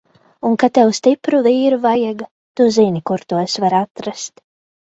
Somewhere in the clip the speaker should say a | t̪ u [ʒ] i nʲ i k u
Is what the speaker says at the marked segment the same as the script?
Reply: no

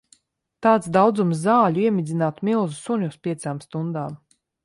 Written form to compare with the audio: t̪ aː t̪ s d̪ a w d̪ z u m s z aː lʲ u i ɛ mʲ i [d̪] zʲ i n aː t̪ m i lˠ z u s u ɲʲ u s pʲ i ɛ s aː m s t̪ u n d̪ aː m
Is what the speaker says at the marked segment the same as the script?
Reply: yes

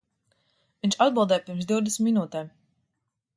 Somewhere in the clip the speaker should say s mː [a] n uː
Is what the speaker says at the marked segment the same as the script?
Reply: no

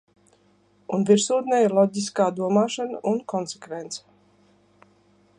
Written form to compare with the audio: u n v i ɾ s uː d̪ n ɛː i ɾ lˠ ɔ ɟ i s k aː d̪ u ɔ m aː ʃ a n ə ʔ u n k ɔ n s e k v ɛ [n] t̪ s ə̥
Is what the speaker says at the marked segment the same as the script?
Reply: yes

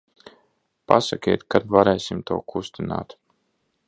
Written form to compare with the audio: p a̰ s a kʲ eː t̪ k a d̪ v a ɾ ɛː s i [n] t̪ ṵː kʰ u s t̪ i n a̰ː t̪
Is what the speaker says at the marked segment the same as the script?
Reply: no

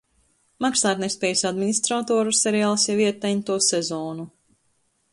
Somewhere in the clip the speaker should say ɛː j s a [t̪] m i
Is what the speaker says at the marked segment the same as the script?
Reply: no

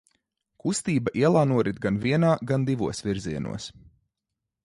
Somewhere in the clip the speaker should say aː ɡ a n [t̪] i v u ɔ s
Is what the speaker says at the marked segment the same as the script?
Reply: no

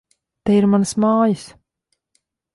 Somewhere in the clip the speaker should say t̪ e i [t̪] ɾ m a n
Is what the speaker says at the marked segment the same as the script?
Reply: no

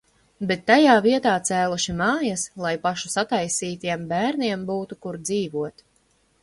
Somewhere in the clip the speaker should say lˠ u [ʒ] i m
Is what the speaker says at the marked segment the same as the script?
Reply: no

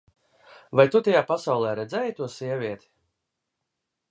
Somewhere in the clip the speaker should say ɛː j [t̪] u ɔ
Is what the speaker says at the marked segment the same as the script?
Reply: yes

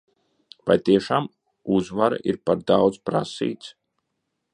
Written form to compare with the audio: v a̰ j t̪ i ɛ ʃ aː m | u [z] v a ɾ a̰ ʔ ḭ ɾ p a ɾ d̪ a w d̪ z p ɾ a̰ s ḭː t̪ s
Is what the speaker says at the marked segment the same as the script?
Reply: yes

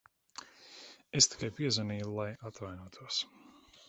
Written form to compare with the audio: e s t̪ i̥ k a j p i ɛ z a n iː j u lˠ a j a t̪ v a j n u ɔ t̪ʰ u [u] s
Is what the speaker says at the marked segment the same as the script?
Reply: no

